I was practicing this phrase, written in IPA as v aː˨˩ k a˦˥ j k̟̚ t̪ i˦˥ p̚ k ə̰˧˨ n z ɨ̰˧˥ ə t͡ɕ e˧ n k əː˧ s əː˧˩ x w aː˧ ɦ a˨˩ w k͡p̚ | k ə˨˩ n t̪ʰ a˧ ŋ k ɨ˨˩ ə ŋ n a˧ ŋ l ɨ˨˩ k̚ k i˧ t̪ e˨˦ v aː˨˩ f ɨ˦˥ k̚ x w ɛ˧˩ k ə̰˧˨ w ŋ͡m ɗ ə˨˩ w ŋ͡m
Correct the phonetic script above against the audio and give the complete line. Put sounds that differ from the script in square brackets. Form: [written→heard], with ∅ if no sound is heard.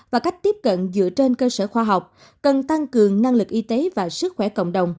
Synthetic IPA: v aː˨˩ k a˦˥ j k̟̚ t̪ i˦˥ p̚ k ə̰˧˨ n z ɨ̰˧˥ ə t͡ɕ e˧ n k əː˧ s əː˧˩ x w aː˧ ɦ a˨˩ w k͡p̚ | k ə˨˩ n [t̪ʰ→t̪] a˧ ŋ k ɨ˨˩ ə ŋ n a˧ ŋ l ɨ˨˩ k̚ [k→ʔ] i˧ t̪ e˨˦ v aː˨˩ [f→s] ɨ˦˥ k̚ x w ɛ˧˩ k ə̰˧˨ w ŋ͡m ɗ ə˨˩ w ŋ͡m